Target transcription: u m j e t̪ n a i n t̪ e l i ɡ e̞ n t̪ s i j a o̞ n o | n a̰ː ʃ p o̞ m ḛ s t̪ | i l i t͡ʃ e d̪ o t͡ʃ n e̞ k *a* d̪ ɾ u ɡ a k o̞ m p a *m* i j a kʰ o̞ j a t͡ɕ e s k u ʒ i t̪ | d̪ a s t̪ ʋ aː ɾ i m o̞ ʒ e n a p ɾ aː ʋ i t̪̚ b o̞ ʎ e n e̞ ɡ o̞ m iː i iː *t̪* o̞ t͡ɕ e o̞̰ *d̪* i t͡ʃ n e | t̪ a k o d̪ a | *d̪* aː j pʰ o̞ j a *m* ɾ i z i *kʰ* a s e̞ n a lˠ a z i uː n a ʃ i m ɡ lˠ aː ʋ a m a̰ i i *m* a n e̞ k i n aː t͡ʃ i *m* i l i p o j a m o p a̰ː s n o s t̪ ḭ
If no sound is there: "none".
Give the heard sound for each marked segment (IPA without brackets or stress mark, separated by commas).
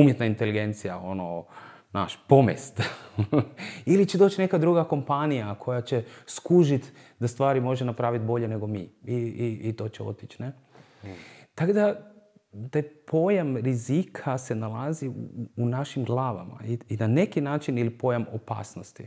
a, n, t̪, t̪, t̪, m, kʰ, n, n